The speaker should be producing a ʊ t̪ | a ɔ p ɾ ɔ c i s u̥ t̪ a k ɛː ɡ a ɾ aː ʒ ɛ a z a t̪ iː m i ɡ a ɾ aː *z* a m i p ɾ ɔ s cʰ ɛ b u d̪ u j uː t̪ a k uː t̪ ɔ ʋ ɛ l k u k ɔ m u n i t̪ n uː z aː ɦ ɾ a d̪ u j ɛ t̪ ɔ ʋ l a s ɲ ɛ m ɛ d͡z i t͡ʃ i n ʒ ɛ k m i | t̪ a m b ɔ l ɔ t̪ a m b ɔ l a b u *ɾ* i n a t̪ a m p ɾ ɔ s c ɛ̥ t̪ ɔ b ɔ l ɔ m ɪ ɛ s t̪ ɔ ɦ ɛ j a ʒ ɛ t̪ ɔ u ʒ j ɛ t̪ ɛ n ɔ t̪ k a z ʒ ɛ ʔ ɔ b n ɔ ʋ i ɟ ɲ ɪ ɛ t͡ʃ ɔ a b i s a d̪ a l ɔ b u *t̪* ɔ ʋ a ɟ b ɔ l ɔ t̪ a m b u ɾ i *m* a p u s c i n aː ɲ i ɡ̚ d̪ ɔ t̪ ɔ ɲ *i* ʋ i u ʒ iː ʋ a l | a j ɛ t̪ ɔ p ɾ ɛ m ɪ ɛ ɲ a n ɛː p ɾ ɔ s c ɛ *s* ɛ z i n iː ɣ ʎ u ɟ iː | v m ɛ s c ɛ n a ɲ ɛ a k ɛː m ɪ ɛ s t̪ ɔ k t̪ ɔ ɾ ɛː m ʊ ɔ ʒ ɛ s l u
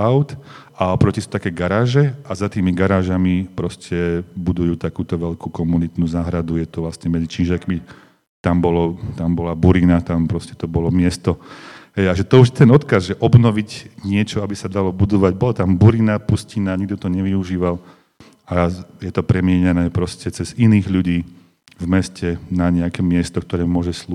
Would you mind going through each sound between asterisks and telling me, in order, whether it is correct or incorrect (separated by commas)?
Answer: incorrect, correct, incorrect, incorrect, incorrect, incorrect